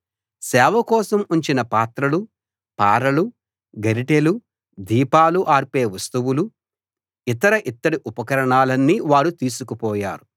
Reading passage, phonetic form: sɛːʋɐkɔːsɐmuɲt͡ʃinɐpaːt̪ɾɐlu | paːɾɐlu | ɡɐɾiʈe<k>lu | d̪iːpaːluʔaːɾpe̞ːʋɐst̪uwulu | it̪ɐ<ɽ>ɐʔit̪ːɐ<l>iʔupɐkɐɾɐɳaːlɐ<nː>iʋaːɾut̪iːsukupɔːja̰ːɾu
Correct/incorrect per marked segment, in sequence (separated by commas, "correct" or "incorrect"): incorrect, incorrect, incorrect, correct